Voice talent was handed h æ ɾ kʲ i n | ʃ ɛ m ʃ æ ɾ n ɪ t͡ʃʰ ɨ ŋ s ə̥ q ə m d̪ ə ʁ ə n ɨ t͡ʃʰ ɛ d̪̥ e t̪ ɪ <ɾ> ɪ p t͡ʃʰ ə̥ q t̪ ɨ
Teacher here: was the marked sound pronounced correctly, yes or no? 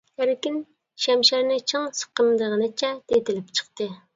no